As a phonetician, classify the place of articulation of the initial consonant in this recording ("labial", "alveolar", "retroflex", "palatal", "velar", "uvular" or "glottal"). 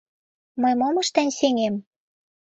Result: labial